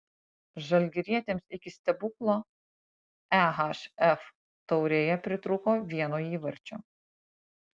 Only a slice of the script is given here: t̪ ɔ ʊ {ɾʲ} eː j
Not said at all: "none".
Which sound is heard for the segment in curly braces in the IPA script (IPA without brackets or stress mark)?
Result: ɾʲ